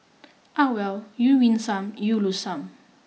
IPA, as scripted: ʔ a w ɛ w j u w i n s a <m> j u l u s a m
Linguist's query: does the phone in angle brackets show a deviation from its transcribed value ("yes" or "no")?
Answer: no